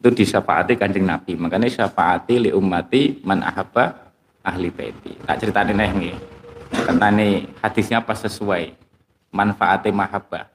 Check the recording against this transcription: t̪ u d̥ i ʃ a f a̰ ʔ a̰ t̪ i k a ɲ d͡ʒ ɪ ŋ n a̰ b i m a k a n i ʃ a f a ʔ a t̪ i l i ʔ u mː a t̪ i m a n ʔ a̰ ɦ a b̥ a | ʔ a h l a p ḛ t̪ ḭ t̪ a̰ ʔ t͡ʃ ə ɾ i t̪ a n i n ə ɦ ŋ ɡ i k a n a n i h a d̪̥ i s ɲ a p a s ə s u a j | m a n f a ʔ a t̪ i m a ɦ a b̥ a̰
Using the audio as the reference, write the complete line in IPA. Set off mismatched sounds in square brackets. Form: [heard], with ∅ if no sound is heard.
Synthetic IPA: t̪ u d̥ i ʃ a f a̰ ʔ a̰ t̪ i k a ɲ d͡ʒ ɪ ŋ n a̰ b i m a k a n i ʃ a f a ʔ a t̪ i l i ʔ u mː a t̪ i m a n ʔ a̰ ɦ a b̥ a | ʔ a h l [i] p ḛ t̪ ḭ t̪ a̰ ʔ t͡ʃ ə ɾ i t̪ a n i n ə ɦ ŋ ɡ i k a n a n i h a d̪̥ i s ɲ a p a s ə s u a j | m a n f a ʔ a t̪ i m a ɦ a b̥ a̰